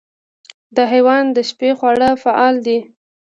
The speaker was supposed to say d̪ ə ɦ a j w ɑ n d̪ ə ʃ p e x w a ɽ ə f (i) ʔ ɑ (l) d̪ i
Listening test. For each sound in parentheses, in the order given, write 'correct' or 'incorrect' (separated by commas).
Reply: incorrect, correct